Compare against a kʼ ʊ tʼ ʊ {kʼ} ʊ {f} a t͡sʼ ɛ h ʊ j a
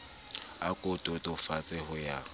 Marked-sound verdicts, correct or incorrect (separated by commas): incorrect, correct